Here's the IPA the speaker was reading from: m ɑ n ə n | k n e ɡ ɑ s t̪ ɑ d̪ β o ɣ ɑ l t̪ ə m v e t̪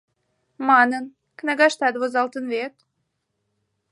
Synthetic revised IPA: m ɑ n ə n | k n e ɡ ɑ ʃ t̪ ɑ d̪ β o z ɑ l t̪ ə n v e t̪